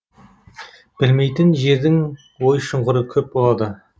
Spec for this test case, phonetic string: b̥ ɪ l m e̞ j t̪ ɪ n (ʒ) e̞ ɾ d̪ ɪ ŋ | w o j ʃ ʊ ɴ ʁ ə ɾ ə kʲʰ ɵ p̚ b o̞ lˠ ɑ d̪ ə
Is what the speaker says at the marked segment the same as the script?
yes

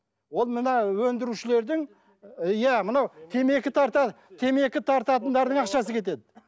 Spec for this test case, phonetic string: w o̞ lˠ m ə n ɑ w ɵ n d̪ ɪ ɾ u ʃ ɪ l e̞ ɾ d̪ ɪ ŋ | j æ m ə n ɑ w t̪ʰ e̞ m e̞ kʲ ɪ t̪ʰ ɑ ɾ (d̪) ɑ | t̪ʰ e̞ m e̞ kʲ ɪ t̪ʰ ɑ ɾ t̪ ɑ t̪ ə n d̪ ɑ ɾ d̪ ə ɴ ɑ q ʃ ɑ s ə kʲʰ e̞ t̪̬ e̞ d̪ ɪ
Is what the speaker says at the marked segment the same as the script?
no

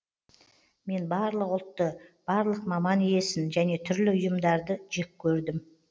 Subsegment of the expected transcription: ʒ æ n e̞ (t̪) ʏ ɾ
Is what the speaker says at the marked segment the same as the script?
no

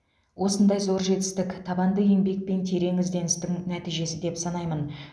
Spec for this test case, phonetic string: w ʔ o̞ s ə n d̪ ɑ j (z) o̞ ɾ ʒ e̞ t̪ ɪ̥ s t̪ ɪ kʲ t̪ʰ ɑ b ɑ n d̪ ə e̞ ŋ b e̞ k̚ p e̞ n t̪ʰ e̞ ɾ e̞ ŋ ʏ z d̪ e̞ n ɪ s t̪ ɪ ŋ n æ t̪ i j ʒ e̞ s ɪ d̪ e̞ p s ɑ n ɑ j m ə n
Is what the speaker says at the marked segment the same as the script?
yes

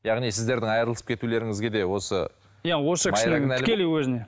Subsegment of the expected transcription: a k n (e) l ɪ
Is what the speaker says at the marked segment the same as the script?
no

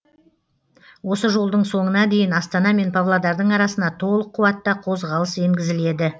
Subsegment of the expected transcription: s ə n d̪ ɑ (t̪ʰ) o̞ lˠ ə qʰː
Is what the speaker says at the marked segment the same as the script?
yes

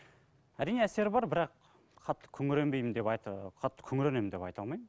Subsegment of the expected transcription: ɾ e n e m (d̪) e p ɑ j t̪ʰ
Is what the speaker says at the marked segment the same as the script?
yes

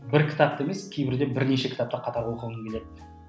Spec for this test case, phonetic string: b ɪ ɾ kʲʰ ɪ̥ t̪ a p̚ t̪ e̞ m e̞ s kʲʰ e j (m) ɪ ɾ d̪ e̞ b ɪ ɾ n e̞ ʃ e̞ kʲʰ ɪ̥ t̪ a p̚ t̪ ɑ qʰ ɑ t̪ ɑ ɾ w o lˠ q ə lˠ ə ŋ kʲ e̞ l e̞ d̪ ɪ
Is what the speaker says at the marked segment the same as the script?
no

